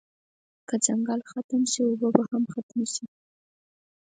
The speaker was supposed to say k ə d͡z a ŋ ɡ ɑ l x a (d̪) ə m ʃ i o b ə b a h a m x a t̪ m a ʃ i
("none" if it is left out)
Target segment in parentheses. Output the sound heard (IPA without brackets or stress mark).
t̪